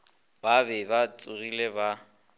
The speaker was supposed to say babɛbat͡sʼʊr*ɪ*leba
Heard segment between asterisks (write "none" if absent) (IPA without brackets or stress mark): i